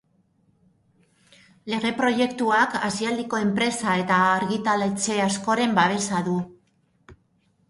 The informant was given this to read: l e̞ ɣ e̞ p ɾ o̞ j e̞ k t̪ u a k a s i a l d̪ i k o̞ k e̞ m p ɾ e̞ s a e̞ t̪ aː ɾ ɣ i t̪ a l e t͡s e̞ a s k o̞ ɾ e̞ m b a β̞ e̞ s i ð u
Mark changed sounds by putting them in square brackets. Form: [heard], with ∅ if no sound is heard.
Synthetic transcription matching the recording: l e̞ ɣ e̞ p ɾ o̞ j e̞ k t̪ u a k a s i a l d̪ i k o̞ [∅] e̞ m p ɾ e̞ s a e̞ t̪ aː ɾ ɣ i t̪ a l e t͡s e̞ a s k o̞ ɾ e̞ m b a β̞ e̞ s [a] ð u